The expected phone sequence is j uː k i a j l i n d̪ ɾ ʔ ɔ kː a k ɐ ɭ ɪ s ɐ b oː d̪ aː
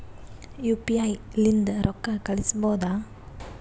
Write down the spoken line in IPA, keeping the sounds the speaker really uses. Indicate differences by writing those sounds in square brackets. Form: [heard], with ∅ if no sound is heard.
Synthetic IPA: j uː [p] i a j l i n d̪ ɾ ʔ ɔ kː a k ɐ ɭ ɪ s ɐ b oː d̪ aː